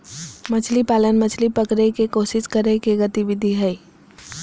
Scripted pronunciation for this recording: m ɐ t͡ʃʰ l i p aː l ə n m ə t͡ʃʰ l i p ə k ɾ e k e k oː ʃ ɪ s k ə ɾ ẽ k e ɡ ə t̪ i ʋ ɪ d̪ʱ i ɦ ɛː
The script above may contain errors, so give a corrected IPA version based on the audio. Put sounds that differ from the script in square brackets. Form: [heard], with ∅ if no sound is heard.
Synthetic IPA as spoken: m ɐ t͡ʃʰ l i p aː l ə n m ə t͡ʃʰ l i p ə k ɾ e k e k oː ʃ ɪ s k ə ɾ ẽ k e ɡ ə t̪ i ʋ ɪ d̪ʱ i ɦ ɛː